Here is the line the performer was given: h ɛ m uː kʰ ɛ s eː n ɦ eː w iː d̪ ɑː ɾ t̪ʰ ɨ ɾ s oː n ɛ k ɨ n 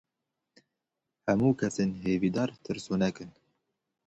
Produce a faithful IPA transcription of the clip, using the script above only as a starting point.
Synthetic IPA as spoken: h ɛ m uː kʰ ɛ s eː n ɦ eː v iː d̪ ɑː ɾ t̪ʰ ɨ ɾ s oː n ɛ k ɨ n